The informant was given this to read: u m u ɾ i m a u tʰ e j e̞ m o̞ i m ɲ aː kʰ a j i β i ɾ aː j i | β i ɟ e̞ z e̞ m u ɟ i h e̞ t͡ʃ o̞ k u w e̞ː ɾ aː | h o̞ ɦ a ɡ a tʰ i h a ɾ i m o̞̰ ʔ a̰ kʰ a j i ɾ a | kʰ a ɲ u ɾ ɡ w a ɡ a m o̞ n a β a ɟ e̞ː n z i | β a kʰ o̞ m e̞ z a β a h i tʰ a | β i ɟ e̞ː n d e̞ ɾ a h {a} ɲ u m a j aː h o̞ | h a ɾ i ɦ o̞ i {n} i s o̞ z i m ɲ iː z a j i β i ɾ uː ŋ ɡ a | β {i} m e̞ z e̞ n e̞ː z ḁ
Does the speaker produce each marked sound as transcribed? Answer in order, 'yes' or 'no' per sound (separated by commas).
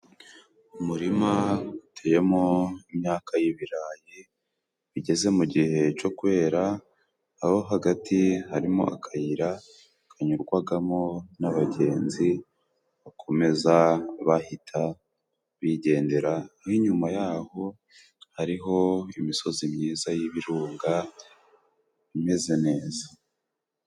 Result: no, no, yes